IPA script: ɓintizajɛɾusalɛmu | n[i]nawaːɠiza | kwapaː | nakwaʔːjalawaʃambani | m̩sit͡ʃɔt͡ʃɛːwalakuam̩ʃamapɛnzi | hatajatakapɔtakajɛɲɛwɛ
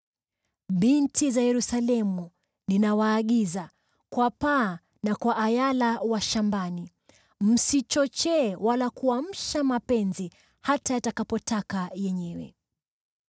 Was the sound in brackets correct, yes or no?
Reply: yes